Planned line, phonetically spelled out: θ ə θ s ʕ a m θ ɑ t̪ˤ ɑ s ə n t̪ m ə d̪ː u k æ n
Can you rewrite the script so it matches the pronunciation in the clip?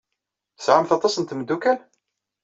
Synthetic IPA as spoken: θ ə s ʕ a m θ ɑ t̪ˤ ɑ s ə n t̪ m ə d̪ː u k æ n